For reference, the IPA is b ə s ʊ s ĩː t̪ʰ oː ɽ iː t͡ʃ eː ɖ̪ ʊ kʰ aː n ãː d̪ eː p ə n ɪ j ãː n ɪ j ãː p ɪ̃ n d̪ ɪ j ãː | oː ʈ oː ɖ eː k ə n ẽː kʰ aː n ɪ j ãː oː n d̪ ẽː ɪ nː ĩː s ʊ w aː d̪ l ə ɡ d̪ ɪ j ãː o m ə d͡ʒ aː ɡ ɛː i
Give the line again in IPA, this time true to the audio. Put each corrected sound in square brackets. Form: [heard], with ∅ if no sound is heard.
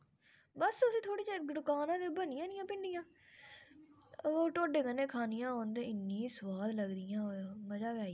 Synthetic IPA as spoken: b ə s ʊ s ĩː t̪ʰ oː ɽ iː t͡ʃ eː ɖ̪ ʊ [k] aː n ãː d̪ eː [b] ə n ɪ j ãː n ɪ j ãː p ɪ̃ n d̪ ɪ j ãː | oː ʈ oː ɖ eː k ə n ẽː kʰ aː n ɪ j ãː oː n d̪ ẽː ɪ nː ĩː s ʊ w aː d̪ l ə ɡ d̪ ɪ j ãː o m ə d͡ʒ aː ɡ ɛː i